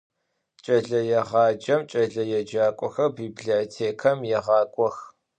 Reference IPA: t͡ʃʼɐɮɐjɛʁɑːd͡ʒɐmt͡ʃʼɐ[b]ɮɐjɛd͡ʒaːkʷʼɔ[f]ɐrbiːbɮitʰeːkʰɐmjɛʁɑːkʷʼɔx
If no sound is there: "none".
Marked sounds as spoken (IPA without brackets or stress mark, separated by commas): none, x